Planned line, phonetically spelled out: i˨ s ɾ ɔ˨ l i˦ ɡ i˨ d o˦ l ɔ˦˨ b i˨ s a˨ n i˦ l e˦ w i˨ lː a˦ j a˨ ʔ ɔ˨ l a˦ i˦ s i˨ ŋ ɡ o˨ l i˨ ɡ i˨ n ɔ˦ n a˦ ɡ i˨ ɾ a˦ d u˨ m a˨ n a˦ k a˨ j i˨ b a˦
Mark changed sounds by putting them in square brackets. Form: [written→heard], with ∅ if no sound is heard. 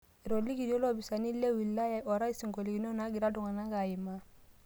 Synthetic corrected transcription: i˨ [s→∅] ɾ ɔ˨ l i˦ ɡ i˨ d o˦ l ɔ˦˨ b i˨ s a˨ n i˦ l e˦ w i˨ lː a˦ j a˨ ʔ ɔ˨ [l→ɾ] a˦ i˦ s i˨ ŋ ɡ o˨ l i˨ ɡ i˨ n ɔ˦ n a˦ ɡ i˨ ɾ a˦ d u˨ [m→ŋ] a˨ n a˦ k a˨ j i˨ [b→m] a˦